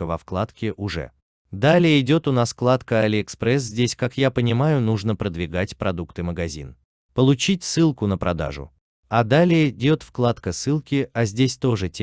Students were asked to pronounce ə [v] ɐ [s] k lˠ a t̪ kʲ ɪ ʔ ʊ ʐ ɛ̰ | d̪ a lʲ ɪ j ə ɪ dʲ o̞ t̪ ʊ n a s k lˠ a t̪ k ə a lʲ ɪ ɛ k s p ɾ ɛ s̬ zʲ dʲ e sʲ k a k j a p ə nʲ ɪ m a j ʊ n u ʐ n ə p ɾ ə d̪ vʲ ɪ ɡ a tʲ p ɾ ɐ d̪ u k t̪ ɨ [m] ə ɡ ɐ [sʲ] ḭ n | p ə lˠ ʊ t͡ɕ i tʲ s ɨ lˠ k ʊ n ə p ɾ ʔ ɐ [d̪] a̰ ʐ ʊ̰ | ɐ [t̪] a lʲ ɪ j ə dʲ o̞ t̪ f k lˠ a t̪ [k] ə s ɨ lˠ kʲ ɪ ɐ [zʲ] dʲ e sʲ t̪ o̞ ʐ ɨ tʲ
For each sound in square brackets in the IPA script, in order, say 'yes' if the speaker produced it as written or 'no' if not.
yes, no, yes, no, yes, no, yes, yes

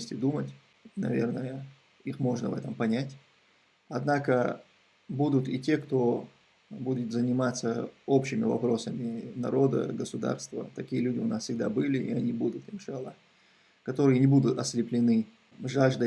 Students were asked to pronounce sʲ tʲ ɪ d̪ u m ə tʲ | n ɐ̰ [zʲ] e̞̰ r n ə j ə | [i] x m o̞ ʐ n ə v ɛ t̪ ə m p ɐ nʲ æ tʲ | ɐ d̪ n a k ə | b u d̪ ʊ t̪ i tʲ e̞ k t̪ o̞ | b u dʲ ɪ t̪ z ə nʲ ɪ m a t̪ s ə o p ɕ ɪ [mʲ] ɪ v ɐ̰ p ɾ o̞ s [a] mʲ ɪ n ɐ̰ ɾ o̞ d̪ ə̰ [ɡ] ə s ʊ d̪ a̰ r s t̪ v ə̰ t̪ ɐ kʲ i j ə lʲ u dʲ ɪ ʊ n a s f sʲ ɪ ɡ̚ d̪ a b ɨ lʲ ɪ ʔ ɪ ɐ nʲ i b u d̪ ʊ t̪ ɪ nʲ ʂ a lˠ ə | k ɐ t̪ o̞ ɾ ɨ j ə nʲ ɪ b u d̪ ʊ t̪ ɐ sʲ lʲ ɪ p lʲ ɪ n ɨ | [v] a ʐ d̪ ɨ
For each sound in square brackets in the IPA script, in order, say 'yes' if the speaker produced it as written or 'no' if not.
no, yes, yes, no, yes, no

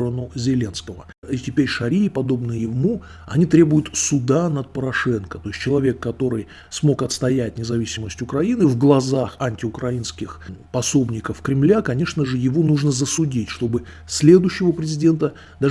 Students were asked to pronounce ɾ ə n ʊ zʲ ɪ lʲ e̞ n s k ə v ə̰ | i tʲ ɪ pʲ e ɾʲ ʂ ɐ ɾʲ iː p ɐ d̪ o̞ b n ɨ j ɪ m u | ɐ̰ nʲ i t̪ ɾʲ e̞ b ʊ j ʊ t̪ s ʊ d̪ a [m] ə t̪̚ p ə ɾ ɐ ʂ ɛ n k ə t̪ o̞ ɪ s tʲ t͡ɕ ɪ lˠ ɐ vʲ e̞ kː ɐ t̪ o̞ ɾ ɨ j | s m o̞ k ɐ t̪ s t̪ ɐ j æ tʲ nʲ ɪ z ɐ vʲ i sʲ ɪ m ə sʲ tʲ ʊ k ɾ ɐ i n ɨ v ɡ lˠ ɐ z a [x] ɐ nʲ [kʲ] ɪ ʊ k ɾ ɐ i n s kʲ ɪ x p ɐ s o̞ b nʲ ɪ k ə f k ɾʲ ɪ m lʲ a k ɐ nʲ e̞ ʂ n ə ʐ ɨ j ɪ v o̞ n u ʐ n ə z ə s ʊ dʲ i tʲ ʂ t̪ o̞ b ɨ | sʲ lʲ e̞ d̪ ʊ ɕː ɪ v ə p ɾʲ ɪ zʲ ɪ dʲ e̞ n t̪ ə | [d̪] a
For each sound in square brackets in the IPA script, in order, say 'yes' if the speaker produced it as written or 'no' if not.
no, yes, no, yes

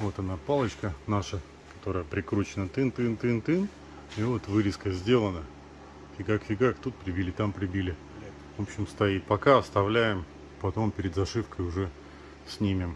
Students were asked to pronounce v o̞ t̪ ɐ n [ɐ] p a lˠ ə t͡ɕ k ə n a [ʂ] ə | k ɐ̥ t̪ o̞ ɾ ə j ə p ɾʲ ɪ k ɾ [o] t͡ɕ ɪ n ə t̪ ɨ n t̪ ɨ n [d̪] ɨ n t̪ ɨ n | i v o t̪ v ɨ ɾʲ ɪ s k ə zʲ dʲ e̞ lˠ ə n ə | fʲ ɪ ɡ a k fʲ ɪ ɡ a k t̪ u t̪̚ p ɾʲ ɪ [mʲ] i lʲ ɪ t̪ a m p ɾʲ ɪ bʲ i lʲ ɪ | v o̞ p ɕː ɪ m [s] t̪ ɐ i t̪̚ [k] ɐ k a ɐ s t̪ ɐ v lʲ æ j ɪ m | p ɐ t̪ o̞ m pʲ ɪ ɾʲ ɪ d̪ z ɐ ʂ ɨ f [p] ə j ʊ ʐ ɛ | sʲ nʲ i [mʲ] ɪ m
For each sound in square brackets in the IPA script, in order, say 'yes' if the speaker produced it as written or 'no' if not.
no, yes, no, no, no, yes, no, no, yes

